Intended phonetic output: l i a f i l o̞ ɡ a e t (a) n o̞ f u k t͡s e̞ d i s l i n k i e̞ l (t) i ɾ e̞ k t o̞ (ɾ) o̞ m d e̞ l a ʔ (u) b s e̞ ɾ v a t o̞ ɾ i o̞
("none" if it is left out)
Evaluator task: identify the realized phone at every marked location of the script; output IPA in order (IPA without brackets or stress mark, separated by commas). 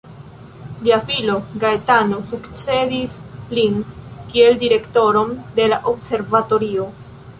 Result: a, d, ɾ, o